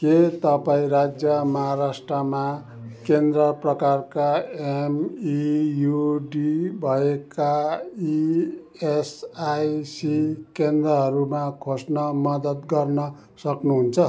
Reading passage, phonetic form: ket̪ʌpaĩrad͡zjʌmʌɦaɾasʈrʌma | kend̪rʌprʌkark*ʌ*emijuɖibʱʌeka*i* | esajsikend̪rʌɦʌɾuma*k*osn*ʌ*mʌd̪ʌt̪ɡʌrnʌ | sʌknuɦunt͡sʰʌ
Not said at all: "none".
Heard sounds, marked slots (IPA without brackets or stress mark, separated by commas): a, i, kʰ, ʌ